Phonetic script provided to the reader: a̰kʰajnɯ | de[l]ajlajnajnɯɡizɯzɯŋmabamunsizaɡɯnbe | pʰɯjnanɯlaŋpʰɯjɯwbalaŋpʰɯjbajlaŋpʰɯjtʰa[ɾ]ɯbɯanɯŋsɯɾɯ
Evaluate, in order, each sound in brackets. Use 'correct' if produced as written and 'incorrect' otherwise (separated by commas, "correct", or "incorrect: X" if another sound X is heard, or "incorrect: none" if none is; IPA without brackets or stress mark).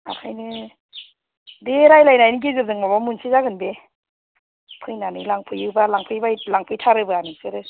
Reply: incorrect: ɾ, correct